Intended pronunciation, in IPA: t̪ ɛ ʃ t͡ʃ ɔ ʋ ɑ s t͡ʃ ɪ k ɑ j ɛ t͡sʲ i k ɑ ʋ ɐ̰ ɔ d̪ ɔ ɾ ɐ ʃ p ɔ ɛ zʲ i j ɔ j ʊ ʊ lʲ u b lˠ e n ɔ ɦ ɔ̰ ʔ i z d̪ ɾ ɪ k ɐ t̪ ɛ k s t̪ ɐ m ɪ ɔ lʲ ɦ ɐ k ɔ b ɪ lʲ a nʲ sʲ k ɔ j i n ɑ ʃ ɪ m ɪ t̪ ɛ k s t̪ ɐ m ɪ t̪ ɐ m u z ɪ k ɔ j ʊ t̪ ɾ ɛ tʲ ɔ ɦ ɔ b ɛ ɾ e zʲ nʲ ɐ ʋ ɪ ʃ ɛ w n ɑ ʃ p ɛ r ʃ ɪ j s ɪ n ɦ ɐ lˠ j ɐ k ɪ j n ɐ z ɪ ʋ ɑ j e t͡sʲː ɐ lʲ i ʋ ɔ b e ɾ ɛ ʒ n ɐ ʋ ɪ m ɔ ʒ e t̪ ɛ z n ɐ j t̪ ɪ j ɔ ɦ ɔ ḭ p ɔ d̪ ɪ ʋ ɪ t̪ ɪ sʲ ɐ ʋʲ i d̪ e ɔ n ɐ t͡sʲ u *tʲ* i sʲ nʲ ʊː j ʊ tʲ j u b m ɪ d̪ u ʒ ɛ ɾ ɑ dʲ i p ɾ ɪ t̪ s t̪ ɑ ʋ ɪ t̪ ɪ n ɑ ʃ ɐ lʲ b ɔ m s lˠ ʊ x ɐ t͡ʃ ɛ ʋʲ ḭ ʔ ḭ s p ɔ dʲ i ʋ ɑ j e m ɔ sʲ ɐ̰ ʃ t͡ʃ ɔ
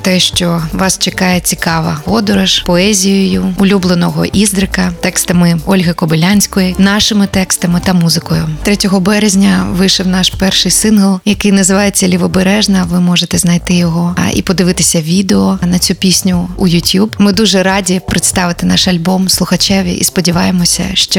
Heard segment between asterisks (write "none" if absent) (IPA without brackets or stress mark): pʲ